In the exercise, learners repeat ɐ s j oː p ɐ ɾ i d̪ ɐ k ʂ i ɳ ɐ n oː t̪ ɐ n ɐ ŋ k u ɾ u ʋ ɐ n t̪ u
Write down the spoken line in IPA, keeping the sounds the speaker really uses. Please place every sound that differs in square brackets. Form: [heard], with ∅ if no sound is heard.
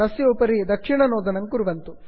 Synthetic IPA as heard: ɐ s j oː p ɐ ɾ i d̪ ɐ k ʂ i ɳ ɐ n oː [d̪] ɐ n ɐ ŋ k u ɾ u ʋ ɐ n t̪ u